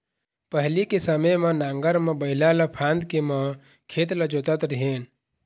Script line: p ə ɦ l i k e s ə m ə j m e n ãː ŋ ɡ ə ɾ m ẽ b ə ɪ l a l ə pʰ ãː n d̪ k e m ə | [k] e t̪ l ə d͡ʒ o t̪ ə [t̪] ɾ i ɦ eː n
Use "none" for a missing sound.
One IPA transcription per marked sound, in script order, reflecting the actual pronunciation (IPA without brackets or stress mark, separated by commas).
kʰ, t̪